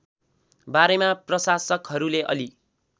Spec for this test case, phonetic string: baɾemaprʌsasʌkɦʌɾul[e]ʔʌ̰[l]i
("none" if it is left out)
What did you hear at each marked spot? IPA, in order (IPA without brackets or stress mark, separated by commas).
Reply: e, l